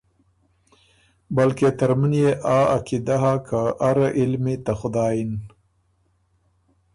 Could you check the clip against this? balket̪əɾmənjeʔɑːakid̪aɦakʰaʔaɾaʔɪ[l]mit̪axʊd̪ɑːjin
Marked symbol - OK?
yes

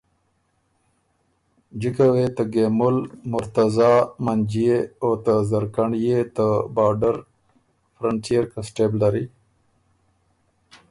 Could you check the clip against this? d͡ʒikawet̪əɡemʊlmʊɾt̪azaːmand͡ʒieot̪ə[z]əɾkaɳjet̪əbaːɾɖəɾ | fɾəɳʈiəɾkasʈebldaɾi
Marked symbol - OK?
yes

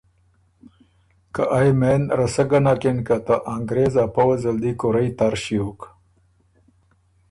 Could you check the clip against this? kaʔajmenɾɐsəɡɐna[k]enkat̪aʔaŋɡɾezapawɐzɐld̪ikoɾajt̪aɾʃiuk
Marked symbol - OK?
yes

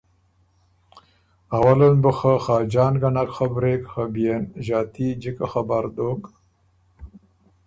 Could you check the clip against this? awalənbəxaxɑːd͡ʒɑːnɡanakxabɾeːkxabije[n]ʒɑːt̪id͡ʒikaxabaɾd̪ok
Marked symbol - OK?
yes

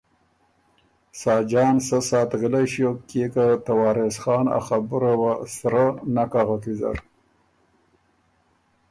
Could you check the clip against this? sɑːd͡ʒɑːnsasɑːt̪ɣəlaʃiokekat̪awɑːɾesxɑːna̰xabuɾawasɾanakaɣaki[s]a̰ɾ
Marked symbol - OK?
no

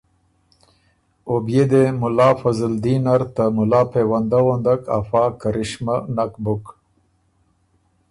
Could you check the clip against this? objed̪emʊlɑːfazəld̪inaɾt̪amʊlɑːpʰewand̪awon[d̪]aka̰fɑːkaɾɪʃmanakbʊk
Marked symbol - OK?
yes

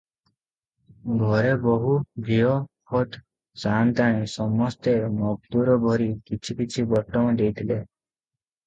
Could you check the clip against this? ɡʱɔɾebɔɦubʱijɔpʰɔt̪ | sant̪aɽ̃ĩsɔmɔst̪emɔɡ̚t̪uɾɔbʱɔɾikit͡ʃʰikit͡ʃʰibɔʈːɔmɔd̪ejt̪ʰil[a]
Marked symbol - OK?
no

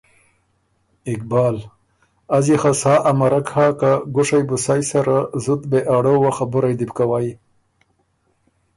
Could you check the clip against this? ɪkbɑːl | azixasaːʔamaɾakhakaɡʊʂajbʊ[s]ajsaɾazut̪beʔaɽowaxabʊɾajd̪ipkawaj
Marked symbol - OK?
yes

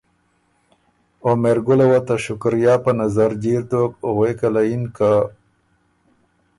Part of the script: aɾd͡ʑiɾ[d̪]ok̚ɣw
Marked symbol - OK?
no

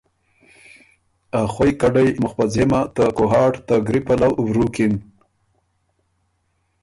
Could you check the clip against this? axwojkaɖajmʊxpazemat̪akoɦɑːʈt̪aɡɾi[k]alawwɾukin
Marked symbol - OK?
no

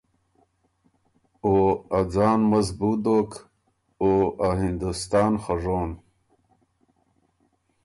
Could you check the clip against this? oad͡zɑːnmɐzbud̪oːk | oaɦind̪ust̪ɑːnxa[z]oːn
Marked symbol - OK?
no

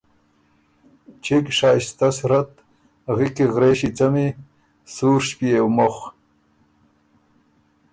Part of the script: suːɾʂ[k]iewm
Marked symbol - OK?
no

